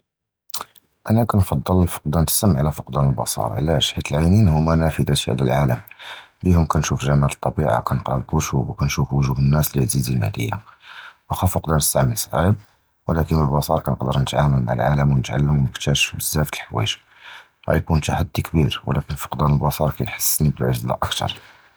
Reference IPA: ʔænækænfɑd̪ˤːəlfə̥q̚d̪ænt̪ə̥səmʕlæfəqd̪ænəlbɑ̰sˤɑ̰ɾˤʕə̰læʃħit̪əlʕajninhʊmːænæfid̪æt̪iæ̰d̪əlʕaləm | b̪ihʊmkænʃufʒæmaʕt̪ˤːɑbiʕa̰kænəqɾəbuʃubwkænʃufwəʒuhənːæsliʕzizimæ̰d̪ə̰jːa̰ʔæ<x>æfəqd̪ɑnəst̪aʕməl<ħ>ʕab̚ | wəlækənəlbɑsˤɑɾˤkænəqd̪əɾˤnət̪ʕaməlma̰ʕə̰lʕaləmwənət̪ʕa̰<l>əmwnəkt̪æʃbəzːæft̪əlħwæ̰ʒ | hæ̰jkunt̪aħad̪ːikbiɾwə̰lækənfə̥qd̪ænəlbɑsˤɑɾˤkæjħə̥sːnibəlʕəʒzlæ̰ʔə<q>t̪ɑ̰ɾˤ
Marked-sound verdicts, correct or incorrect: correct, incorrect, incorrect, incorrect

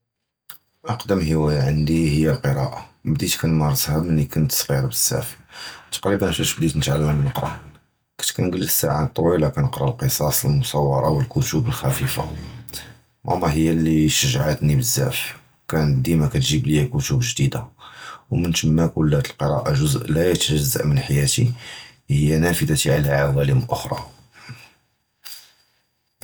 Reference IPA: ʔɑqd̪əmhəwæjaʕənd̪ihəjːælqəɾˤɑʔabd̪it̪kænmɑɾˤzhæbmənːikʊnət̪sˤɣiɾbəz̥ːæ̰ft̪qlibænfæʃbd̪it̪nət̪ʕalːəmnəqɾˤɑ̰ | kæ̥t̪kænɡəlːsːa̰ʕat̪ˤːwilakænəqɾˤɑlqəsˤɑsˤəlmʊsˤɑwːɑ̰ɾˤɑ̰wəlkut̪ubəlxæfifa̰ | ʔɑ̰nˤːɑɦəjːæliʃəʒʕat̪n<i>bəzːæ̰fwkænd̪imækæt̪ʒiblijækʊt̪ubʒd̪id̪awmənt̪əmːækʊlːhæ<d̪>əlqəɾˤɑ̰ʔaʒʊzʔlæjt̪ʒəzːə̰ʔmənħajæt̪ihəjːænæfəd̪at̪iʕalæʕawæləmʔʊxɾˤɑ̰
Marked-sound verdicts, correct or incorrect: correct, incorrect

